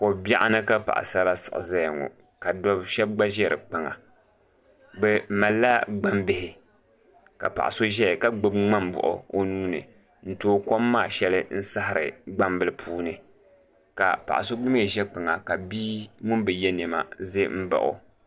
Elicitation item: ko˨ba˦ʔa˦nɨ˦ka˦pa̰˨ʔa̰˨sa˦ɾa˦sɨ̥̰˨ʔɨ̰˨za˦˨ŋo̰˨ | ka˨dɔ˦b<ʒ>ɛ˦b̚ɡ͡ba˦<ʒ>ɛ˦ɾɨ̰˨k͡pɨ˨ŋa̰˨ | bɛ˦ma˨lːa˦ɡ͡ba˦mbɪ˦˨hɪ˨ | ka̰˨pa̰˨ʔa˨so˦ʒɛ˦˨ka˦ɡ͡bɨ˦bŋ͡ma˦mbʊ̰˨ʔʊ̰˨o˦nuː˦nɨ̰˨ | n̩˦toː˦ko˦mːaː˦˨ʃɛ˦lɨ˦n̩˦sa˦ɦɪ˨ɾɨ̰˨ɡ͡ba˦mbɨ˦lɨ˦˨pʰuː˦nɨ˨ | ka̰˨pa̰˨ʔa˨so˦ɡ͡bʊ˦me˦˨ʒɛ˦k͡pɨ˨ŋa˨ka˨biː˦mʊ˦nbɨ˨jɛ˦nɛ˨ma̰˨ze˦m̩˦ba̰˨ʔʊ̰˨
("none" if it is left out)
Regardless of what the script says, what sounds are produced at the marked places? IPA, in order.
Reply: ʃ, ʒ

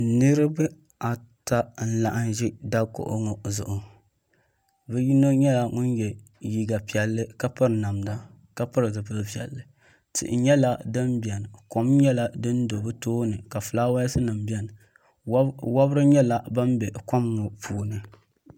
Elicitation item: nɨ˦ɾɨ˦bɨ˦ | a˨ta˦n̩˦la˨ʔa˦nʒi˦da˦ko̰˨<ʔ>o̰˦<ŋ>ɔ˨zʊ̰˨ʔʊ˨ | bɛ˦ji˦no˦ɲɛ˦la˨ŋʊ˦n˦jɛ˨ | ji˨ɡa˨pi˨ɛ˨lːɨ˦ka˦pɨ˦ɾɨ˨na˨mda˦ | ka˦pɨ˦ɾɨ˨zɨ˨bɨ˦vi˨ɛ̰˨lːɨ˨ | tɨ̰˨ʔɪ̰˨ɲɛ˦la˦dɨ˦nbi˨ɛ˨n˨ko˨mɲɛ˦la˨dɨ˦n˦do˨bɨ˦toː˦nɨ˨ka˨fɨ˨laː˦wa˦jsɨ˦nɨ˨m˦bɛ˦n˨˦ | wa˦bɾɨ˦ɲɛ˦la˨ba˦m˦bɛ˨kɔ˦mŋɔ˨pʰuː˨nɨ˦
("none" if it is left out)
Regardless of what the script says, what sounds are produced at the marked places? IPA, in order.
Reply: ʔ, ŋ

